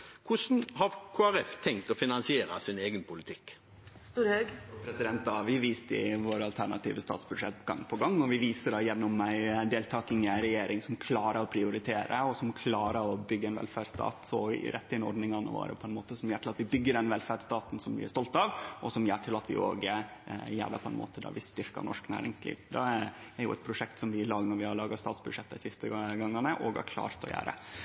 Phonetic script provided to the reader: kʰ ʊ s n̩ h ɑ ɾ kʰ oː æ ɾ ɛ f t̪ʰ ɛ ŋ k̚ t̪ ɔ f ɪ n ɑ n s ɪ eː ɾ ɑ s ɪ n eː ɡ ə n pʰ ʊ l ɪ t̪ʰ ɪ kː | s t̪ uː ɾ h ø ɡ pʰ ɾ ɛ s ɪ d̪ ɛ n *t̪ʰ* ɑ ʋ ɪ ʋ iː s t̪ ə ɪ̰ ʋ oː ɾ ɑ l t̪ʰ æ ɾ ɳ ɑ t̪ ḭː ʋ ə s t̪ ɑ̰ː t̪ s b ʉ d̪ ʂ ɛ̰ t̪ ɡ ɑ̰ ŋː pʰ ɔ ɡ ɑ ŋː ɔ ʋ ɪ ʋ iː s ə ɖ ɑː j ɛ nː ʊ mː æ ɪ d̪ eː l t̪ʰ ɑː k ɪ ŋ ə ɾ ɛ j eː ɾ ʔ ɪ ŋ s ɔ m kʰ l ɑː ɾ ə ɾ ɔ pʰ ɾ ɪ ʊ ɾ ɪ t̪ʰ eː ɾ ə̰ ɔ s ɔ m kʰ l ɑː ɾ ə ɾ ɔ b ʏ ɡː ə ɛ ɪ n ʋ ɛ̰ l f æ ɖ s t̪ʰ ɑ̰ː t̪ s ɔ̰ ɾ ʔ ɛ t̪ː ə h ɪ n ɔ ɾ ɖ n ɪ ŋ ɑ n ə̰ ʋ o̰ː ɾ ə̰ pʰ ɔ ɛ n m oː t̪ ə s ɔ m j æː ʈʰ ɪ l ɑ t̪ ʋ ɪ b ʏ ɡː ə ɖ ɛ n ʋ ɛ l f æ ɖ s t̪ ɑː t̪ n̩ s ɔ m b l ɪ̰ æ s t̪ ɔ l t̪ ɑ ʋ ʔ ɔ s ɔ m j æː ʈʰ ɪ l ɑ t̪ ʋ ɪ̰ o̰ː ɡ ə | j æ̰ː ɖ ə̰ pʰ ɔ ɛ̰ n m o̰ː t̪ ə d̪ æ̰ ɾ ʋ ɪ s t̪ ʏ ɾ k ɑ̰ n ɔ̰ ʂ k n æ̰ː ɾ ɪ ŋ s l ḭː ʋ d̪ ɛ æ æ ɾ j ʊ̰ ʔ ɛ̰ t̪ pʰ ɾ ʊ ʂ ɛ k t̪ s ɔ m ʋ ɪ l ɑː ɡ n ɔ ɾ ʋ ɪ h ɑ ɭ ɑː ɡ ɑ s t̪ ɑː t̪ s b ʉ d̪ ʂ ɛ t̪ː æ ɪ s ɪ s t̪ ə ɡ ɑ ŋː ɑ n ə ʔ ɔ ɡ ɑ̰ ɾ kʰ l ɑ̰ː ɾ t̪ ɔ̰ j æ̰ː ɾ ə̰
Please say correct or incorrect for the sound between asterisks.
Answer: incorrect: t̪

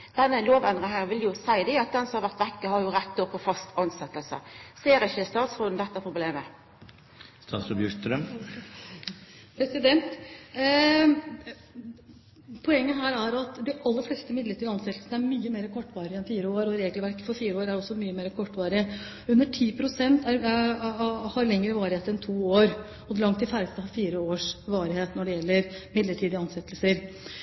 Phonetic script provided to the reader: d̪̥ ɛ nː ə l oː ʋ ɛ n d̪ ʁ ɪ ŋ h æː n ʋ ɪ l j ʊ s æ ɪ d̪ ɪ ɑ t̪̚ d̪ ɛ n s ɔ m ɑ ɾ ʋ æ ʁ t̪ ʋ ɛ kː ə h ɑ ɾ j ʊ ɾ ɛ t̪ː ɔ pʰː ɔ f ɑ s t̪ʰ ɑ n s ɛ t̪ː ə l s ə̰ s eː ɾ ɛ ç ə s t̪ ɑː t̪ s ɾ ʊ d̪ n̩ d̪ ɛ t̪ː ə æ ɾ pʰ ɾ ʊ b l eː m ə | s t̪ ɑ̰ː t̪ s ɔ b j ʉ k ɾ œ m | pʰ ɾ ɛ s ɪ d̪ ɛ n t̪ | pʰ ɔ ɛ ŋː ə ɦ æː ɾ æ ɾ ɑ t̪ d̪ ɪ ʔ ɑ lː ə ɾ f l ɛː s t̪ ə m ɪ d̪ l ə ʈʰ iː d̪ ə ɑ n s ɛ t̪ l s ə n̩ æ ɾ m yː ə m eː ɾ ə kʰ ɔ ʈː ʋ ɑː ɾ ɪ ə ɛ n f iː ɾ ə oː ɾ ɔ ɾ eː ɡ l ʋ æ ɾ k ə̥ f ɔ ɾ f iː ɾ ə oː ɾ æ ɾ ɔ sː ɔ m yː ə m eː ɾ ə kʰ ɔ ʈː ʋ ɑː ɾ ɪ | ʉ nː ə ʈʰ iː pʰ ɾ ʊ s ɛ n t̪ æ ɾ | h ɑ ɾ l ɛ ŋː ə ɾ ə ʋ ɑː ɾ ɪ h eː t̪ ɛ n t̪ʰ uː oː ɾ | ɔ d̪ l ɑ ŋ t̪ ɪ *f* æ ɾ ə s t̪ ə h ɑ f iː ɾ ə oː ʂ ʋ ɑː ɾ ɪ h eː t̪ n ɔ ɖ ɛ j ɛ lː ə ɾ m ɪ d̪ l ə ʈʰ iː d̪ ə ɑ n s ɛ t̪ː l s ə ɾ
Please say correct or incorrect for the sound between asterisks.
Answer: correct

